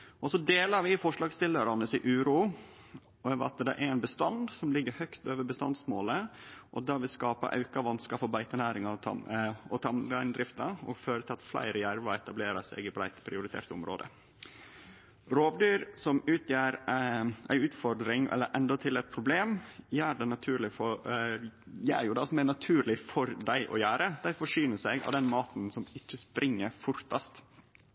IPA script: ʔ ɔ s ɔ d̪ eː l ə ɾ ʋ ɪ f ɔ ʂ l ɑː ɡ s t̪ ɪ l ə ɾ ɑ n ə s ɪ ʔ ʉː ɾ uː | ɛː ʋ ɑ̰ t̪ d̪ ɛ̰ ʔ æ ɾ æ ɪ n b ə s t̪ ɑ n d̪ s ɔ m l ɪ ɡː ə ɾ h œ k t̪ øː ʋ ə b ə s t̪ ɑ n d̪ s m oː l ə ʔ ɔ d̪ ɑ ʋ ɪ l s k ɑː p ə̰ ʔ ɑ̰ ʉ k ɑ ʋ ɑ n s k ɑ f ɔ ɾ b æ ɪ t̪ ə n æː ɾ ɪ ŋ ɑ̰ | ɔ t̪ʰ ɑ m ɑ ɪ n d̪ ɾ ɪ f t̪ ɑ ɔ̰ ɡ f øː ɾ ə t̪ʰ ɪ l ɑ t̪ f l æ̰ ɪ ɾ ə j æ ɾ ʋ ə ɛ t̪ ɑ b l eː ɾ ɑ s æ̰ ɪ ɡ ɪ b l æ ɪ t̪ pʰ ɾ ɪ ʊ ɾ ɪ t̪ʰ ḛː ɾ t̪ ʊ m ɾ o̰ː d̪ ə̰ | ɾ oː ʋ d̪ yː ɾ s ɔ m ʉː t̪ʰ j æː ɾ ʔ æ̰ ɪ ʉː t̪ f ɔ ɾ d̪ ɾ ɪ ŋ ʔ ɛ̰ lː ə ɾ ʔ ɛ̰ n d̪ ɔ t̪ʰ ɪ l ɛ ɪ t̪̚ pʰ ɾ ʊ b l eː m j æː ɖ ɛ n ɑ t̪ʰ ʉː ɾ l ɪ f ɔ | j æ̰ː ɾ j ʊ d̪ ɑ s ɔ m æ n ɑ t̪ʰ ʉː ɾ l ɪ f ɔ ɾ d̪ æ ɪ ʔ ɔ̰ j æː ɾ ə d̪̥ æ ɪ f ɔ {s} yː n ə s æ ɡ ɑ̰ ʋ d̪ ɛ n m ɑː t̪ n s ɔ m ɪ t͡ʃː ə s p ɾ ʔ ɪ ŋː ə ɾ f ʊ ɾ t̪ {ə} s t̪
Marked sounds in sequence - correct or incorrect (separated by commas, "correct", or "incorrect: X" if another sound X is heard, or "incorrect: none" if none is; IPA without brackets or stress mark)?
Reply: incorrect: ʂ, incorrect: ɑ